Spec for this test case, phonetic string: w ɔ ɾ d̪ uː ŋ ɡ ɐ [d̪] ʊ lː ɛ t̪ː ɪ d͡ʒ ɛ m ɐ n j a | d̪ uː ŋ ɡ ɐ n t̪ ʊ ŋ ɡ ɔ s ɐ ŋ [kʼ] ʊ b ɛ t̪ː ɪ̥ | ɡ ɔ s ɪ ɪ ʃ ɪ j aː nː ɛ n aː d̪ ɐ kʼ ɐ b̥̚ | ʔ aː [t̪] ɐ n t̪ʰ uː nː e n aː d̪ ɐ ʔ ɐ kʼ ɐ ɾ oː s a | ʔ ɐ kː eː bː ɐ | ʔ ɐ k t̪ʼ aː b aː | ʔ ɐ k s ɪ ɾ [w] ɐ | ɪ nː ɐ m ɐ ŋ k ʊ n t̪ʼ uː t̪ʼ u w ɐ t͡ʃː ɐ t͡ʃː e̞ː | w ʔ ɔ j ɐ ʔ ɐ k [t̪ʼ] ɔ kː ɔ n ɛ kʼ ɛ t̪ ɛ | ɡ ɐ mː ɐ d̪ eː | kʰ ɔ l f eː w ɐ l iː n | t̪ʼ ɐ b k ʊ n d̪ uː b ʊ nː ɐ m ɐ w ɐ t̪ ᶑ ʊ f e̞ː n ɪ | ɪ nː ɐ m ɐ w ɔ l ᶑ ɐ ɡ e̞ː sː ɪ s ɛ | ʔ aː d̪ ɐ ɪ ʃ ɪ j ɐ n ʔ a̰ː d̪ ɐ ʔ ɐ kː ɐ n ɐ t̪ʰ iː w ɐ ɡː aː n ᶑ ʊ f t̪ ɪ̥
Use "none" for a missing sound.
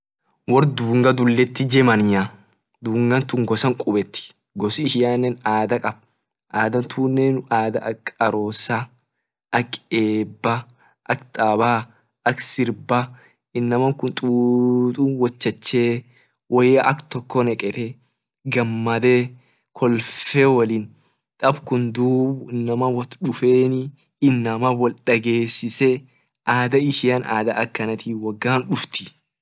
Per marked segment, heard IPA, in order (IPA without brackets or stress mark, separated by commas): d̪, kʼ, d̪, b, t̪